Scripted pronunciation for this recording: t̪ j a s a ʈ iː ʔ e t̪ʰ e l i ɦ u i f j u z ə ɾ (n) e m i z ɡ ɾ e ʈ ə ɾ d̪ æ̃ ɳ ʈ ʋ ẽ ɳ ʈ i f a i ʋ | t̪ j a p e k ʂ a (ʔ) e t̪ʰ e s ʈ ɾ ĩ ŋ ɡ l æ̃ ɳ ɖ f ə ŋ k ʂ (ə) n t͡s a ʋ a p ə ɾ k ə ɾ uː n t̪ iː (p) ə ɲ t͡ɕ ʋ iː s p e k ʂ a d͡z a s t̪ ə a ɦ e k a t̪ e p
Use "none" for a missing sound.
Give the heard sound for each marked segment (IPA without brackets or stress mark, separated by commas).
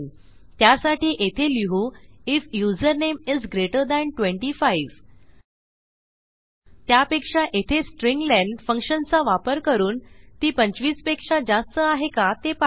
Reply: n, ʔ, ə, p